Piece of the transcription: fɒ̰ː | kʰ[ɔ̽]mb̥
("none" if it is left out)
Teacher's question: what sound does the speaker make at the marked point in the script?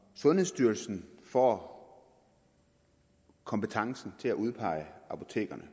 ɒ̽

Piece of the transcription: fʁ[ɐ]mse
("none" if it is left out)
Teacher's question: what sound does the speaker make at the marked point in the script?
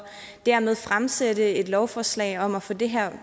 a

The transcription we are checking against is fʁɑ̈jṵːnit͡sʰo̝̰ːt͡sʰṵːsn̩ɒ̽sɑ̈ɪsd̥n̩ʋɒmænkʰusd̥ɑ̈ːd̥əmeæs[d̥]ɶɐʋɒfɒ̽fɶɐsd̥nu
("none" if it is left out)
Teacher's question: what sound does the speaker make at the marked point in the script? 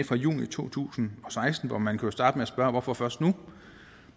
b̥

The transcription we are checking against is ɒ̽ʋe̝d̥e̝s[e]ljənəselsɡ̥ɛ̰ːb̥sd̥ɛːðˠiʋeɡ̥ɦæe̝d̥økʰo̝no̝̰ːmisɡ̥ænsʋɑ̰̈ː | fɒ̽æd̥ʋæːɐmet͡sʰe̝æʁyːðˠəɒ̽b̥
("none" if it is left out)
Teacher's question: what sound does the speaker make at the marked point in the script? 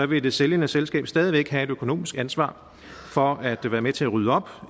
e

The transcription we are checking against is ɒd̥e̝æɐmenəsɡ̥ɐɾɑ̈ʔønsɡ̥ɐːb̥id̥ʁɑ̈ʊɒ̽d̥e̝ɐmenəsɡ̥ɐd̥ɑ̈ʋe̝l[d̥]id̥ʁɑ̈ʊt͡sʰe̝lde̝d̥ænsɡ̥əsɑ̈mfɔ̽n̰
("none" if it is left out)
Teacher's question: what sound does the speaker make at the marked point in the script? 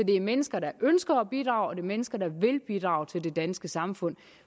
b̥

